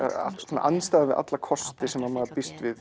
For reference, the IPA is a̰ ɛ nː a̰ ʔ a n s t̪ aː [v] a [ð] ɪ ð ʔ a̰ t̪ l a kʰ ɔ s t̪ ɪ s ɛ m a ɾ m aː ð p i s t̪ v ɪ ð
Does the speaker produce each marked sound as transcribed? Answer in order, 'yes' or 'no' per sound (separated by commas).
no, no